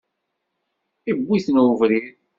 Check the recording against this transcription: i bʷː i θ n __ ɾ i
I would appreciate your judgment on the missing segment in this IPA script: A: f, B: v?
B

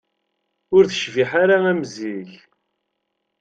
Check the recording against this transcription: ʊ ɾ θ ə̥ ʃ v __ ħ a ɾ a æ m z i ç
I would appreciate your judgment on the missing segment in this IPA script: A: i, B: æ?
A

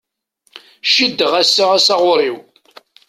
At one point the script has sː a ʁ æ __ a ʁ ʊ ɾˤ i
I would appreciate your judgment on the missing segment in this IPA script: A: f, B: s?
B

